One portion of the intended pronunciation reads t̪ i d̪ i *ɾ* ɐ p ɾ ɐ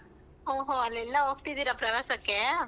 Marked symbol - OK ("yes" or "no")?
yes